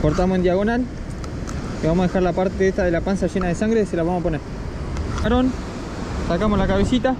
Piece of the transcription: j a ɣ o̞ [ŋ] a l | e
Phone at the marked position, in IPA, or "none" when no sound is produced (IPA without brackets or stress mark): n